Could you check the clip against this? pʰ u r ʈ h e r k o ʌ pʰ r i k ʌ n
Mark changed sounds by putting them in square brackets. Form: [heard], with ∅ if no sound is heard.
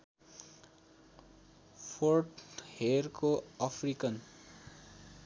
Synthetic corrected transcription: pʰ [o] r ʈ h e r k o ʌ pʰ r i k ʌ n

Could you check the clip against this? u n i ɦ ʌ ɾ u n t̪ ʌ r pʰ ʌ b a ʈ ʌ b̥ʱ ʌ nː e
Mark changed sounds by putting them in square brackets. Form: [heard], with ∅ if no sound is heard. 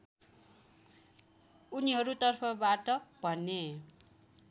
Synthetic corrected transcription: u n i ɦ ʌ ɾ u [∅] t̪ ʌ r pʰ ʌ b a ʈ ʌ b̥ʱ ʌ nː e

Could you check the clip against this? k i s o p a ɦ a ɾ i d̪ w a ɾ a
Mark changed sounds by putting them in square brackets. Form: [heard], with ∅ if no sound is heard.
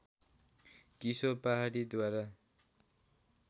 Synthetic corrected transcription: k i s o p a ɦ a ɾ i d̪ w a ɾ a

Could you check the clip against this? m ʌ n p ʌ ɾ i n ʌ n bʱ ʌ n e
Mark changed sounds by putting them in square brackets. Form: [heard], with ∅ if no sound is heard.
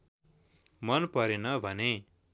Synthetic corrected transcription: m ʌ n p ʌ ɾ [e] n ʌ [∅] bʱ ʌ n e

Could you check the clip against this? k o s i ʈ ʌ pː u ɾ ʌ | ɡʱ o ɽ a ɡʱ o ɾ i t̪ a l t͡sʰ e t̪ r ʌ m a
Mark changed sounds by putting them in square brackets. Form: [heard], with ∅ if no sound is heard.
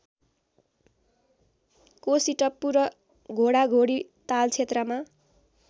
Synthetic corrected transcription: k o s i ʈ ʌ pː u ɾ ʌ | ɡʱ o ɽ a ɡʱ o [ɽ] i t̪ a l t͡sʰ e t̪ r ʌ m a

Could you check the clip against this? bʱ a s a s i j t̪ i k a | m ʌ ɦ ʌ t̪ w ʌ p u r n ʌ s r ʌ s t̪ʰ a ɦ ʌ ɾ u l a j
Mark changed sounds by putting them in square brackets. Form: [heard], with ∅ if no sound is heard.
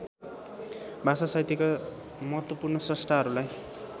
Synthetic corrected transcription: bʱ a s a s [a] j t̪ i k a | m ʌ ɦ ʌ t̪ w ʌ p u r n ʌ s r ʌ s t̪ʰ a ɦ ʌ ɾ u l a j

